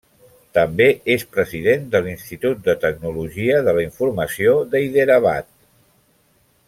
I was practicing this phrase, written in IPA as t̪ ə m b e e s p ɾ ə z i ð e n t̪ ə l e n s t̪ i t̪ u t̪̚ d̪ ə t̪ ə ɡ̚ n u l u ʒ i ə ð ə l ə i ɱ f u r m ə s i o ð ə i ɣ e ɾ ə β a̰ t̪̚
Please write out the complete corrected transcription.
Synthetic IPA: t̪ ə m b e e s p ɾ ə z i ð e n d̪ ə l i n s t̪ i t̪ u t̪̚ d̪ ə t̪ ə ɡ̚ n u l u ʒ i ə ð ə l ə i ɱ f u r m ə s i o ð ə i ð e ɾ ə β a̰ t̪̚